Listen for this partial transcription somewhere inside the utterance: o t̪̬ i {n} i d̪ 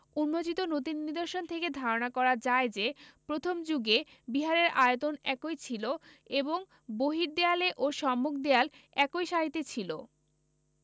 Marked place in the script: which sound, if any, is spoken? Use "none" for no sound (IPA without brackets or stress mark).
nː